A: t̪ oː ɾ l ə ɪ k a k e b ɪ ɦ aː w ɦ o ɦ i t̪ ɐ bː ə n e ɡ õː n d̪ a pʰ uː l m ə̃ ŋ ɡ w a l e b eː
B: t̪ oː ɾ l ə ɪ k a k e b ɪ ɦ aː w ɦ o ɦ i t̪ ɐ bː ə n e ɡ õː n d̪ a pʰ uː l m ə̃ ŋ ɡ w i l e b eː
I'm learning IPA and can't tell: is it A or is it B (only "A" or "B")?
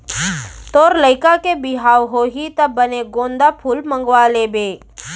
A